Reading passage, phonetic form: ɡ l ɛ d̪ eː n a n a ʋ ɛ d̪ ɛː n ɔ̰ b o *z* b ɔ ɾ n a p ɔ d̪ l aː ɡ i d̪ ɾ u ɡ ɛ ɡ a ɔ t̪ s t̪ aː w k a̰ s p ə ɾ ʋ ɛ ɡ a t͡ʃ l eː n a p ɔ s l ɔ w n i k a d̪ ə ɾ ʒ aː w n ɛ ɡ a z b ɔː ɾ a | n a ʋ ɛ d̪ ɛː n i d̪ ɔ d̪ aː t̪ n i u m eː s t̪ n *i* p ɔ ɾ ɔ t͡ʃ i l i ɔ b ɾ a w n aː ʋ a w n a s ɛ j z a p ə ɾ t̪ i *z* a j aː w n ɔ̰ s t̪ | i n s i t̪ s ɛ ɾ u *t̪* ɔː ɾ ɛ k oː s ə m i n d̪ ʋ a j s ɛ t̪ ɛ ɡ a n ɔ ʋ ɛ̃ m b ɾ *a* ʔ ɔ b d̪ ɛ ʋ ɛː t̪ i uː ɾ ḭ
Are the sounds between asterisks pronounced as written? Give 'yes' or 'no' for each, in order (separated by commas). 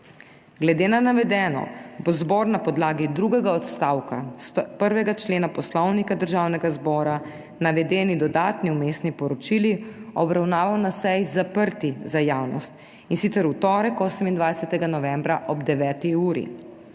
yes, yes, yes, yes, yes